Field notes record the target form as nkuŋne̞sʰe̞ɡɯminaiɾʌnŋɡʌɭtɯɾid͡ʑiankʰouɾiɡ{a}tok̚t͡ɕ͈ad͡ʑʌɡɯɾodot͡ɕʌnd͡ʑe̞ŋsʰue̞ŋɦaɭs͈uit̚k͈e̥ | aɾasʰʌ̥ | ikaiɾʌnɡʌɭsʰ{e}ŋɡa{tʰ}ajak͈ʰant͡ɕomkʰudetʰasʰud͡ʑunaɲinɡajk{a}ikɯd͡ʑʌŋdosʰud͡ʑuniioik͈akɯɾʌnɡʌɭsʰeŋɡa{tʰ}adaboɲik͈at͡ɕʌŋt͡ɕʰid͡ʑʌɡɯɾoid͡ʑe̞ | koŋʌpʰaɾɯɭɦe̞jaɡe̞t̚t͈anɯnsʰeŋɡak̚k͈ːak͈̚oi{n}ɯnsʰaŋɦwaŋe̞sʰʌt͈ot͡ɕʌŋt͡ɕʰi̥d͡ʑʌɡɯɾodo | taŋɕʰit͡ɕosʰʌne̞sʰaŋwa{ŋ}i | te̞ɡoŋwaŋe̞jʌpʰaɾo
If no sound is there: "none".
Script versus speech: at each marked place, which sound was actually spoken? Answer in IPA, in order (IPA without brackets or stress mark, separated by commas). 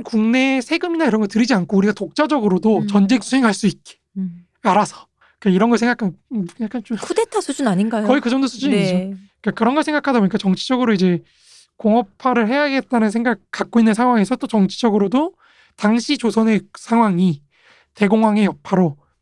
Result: a, e, kʰ, ʌ, kʰ, nː, ŋ